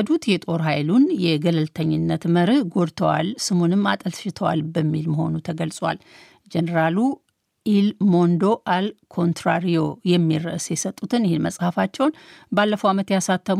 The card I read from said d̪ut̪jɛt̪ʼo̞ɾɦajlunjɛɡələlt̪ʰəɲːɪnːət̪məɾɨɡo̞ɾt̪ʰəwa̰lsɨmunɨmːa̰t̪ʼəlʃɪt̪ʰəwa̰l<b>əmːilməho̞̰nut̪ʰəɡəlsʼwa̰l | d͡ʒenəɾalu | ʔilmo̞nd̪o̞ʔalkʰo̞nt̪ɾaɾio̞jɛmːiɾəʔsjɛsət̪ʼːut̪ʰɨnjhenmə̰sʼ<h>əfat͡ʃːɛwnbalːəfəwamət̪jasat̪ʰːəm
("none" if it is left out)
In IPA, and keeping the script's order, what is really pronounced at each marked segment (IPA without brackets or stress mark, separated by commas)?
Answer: b, h